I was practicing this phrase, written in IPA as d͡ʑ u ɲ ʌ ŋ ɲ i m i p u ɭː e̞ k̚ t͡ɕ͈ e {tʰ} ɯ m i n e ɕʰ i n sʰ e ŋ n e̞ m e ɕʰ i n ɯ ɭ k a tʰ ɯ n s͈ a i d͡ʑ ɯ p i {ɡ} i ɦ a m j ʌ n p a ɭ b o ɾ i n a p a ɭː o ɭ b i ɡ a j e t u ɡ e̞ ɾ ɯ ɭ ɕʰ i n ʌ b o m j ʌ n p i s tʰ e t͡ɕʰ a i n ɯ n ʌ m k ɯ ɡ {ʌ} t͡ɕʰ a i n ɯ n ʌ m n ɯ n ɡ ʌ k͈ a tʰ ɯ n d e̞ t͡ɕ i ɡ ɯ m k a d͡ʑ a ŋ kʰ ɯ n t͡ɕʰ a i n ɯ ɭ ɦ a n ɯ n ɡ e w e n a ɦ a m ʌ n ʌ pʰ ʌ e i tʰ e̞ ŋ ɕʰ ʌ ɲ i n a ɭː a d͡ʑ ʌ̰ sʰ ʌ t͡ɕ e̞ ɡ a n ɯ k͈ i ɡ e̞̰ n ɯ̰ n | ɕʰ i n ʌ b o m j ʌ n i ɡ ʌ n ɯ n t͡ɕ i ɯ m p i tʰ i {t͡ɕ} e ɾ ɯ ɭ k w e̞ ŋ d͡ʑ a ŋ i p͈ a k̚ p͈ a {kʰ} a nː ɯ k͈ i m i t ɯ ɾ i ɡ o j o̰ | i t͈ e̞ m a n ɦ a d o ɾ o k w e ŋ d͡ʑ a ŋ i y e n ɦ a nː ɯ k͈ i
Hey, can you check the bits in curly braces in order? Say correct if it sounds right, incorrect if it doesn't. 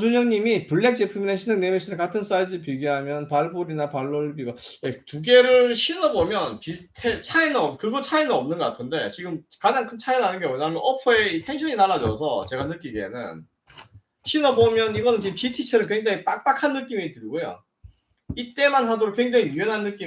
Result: incorrect: pʰ, correct, correct, incorrect: t͡ɕʰ, correct

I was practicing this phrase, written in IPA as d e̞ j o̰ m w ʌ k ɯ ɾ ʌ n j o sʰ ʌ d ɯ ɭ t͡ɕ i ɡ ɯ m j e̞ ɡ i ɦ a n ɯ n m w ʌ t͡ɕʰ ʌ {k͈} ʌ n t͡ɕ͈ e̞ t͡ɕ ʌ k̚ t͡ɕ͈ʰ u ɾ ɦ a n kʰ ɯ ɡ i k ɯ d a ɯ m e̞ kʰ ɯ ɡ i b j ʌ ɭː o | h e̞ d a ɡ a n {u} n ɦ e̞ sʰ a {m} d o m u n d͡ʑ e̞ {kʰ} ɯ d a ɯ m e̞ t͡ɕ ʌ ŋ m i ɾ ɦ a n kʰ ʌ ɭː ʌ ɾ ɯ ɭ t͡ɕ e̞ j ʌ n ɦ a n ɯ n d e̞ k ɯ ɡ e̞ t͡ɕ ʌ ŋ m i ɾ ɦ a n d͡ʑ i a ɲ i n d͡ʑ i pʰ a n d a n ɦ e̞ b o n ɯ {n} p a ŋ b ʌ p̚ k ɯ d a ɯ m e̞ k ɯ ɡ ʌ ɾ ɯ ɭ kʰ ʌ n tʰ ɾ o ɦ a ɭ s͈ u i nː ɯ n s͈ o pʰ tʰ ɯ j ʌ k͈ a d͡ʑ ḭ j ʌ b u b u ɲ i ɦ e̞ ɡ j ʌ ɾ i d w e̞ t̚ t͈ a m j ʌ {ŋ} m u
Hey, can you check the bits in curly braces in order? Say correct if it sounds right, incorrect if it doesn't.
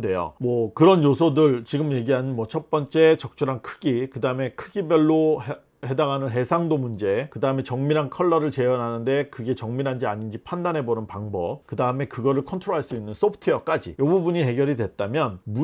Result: incorrect: p͈, incorrect: ɯ, incorrect: ŋ, incorrect: k, correct, incorrect: n

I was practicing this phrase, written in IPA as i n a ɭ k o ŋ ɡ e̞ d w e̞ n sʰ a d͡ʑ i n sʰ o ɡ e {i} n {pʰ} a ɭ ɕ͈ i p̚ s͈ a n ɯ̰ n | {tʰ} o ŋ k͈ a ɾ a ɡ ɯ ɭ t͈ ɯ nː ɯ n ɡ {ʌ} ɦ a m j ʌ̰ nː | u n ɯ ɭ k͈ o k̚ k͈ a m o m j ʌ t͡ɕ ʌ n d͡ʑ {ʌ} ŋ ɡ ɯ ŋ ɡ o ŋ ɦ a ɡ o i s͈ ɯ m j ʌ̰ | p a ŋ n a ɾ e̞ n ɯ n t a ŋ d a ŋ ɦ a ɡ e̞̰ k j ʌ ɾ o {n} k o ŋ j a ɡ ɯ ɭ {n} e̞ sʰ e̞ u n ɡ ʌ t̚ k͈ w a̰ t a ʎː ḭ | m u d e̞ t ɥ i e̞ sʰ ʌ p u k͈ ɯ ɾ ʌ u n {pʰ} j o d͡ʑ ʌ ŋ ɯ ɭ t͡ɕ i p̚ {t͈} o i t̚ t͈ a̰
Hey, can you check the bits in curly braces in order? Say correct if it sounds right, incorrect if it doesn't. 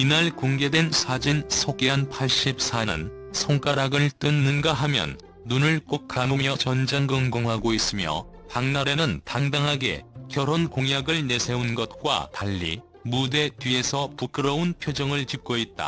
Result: incorrect: a, correct, incorrect: sʰ, incorrect: a, incorrect: a, correct, correct, correct, incorrect: k͈

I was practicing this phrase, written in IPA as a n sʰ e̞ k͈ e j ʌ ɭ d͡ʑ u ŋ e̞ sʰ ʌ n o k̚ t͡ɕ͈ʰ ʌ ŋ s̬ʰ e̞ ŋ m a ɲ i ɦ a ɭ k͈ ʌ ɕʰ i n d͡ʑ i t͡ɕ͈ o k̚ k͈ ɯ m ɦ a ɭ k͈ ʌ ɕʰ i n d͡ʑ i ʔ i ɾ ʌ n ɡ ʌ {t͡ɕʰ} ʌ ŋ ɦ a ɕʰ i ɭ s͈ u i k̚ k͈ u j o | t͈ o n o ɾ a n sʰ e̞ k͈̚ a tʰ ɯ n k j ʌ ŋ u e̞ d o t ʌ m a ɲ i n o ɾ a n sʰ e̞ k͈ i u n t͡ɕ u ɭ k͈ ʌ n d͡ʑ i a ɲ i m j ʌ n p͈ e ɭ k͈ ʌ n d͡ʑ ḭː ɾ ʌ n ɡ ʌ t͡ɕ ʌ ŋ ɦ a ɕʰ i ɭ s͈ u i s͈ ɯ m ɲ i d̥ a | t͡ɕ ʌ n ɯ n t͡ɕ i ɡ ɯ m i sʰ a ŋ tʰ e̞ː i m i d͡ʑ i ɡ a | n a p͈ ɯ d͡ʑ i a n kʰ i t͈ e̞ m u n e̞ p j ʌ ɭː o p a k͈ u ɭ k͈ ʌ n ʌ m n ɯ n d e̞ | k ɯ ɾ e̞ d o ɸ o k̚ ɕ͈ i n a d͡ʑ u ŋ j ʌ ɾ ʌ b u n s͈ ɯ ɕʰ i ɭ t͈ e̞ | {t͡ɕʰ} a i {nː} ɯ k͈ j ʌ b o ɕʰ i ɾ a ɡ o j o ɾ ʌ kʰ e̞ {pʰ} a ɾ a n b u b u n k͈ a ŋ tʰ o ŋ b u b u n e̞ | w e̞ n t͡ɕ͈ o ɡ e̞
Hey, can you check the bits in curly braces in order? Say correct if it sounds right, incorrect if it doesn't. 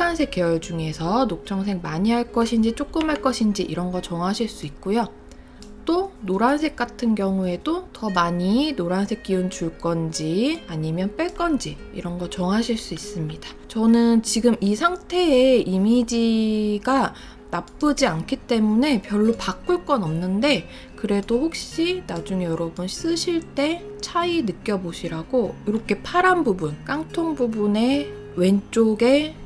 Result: incorrect: t͡ɕ, correct, incorrect: n, correct

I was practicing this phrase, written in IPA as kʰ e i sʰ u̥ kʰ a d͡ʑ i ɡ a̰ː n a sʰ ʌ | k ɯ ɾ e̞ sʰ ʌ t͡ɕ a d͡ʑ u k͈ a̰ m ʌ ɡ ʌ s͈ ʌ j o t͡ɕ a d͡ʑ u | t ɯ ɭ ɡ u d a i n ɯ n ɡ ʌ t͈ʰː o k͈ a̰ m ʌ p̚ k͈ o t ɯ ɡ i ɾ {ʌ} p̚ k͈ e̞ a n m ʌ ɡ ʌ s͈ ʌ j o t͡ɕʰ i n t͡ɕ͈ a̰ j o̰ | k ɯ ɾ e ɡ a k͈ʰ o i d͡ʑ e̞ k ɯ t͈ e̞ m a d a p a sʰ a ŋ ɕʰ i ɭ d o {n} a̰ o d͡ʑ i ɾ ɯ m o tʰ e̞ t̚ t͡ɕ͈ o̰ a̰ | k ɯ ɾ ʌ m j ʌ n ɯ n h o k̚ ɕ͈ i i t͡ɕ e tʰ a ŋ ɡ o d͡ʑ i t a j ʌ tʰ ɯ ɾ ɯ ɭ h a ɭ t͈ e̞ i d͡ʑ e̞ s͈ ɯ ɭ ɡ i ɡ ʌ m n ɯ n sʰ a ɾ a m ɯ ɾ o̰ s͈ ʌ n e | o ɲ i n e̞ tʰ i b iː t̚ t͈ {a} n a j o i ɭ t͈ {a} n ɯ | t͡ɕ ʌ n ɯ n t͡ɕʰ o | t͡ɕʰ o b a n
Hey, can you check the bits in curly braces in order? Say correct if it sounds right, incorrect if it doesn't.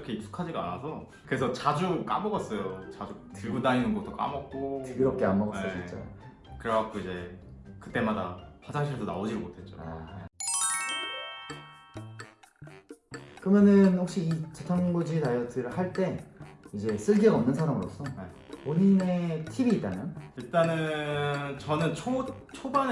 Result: correct, correct, correct, correct

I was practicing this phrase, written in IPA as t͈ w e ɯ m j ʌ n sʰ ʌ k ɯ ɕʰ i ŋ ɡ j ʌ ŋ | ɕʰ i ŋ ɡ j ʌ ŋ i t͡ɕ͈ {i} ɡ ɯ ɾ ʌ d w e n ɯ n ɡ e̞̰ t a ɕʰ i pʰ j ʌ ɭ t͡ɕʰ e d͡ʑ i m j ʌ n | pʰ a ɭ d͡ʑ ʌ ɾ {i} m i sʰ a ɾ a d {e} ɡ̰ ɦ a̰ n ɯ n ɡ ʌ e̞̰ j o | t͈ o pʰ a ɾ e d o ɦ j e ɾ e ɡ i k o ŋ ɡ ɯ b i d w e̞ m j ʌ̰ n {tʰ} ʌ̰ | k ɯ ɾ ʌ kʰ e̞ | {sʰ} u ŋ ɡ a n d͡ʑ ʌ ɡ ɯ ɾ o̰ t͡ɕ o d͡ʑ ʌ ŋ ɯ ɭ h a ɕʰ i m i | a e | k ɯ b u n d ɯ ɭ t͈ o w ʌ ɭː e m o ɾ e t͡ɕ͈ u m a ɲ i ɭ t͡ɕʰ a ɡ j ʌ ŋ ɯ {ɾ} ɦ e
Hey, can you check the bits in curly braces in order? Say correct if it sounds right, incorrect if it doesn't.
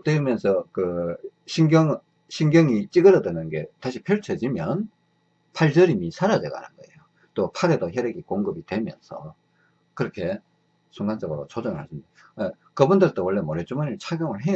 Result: correct, correct, correct, incorrect: sʰ, correct, incorrect: ɭ

